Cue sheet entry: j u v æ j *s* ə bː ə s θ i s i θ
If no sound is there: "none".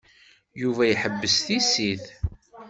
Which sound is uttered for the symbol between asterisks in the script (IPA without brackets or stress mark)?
ħ